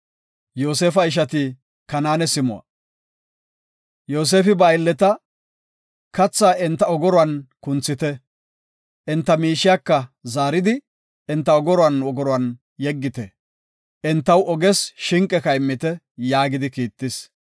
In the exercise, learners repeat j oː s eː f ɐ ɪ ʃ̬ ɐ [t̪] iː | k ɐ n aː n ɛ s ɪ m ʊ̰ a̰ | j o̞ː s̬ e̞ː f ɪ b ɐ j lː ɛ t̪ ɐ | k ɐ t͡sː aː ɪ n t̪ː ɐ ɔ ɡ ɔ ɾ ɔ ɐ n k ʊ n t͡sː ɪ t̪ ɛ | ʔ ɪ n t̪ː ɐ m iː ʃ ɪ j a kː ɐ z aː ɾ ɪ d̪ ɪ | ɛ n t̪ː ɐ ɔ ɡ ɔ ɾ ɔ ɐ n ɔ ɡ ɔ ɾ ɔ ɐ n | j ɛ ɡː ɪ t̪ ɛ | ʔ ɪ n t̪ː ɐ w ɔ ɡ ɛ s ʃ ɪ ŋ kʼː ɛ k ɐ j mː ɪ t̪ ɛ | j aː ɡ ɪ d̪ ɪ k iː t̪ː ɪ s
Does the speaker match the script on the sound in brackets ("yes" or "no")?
yes